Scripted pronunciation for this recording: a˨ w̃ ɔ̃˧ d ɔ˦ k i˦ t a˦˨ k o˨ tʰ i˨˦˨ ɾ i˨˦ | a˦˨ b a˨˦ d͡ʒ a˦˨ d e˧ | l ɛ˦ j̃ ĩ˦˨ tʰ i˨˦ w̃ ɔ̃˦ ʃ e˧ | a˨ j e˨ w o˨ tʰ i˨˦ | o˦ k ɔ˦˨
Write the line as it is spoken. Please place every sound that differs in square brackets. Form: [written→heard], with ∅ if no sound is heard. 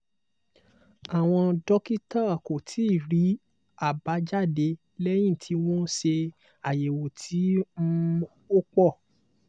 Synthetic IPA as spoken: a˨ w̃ ɔ̃˧ d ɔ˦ k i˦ t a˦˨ k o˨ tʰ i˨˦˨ ɾ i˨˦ | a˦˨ b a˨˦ d͡ʒ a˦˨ d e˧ | l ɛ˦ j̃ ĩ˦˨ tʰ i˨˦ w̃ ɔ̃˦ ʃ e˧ | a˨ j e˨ w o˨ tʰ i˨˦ | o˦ [k→k͡p] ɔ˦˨

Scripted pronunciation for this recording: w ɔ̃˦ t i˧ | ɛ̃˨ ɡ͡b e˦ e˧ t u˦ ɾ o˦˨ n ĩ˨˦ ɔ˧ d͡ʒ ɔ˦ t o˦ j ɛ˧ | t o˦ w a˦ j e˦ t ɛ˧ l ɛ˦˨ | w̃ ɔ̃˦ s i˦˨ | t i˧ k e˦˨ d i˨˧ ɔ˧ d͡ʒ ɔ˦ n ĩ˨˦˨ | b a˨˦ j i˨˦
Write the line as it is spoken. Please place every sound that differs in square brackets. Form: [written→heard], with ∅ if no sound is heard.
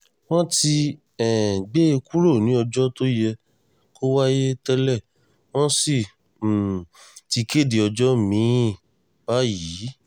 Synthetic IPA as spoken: w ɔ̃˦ t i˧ | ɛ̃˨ ɡ͡b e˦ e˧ [t→k] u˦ ɾ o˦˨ n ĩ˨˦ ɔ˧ d͡ʒ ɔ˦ t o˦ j ɛ˧ | [t→k] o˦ w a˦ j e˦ t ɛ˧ l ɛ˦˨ | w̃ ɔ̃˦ s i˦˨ | t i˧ k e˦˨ d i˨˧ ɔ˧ d͡ʒ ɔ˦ [n→m] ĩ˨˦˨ | b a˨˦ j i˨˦

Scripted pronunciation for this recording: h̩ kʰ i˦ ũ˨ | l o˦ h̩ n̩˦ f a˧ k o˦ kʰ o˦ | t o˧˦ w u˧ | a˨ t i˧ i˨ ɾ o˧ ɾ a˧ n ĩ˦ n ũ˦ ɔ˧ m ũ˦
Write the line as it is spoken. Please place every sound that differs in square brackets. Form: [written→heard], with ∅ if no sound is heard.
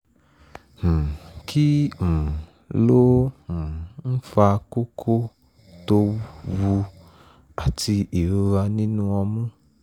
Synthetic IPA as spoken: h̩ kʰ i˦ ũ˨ | l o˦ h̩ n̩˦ f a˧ k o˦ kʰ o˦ | t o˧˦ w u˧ | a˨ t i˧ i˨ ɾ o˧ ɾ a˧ n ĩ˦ n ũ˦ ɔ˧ m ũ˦

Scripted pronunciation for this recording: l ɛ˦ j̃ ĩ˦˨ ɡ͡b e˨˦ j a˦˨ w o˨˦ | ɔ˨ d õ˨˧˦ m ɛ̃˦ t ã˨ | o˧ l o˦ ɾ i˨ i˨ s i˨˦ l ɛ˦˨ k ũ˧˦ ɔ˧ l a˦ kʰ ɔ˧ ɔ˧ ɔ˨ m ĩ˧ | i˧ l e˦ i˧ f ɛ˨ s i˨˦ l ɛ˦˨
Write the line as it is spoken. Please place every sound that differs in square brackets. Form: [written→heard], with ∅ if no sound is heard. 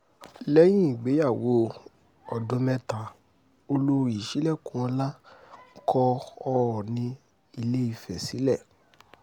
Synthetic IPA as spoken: l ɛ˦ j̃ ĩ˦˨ ɡ͡b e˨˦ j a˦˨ w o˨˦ | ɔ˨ d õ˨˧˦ m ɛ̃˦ t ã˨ | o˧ l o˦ ɾ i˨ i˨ [s→ʃ] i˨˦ l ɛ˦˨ k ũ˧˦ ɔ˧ l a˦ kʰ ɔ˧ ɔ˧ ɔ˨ [m→n] ĩ˧ | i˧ l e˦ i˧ f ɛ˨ s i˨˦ l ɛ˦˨

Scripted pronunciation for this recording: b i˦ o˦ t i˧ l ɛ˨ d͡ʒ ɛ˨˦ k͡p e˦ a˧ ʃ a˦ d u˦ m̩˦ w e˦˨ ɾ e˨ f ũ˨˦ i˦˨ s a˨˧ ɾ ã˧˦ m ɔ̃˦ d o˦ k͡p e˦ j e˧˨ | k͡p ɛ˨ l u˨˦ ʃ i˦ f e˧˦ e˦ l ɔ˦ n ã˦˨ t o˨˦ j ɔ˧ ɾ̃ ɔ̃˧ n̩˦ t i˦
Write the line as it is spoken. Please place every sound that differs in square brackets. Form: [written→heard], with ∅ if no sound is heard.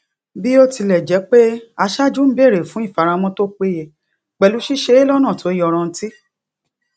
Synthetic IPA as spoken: b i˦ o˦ t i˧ l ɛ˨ d͡ʒ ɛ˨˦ k͡p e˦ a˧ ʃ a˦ [d→d͡ʒ] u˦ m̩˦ [w→b] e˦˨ ɾ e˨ f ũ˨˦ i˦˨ [s→f] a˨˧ ɾ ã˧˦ m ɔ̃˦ [d→t] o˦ k͡p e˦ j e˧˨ | k͡p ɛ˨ l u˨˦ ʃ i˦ [f→ʃ] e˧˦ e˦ l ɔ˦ n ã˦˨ t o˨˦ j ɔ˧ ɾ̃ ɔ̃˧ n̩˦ t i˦

